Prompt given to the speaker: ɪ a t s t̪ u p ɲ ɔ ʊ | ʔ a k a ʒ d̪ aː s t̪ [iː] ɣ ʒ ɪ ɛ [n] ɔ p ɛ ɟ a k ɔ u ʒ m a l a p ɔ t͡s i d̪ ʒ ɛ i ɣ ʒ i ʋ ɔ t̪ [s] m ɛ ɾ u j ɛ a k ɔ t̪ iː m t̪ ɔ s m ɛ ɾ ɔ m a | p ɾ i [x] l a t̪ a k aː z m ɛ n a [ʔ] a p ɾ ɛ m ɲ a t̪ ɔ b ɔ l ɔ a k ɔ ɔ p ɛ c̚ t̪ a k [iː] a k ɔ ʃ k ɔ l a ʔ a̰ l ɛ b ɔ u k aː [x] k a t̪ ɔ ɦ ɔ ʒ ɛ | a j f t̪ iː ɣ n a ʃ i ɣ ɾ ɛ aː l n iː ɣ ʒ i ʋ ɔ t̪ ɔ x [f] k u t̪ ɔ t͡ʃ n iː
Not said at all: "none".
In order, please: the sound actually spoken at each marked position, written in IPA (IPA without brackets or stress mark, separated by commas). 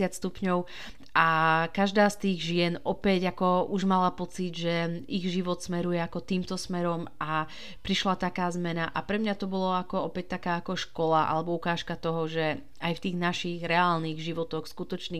iː, n, s, ʃ, ʔ, aː, ʃ, s